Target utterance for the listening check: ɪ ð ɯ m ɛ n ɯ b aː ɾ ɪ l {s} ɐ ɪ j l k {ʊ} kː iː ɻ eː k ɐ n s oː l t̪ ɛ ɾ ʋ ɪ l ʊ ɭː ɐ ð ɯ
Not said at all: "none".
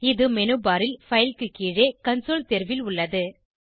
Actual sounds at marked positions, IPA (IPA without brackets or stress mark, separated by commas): f, ɯ